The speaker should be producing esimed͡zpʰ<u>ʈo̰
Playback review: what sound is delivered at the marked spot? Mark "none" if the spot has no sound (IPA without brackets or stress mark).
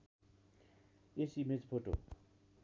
o